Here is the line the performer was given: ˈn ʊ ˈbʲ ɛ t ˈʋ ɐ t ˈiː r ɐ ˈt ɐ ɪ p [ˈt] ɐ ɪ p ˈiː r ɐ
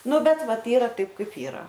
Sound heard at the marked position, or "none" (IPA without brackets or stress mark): k